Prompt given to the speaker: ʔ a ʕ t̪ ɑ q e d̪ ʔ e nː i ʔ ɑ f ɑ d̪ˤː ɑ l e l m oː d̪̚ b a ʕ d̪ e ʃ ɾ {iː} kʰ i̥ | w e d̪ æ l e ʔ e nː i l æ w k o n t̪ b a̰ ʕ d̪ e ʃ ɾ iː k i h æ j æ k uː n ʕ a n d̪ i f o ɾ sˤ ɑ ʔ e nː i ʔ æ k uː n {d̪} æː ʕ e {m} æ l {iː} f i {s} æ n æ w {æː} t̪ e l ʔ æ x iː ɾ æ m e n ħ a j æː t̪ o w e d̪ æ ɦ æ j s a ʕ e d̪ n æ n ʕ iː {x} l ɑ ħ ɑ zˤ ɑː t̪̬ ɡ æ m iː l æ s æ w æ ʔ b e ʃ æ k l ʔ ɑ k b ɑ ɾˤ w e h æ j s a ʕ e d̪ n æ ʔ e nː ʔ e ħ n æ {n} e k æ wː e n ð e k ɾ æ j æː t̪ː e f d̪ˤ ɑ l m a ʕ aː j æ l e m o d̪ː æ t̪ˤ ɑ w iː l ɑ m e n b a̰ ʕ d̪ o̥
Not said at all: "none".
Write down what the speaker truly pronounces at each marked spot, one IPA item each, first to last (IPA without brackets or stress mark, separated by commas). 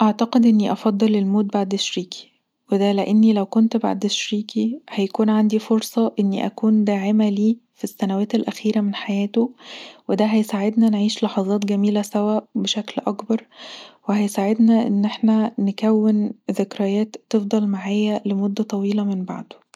iː, d̪, m, iː, sː, æː, ʃ, n